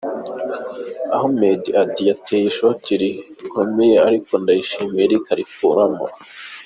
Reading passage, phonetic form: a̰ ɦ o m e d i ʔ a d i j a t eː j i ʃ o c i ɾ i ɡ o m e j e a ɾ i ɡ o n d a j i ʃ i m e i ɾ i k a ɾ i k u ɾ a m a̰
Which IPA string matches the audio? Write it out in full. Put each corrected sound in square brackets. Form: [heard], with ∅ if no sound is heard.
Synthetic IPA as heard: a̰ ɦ o m e d i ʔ a d i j a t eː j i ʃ o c i ɾ i [k] o m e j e a ɾ i [k] o n d a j i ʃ i m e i ɾ i k a ɾ i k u ɾ a m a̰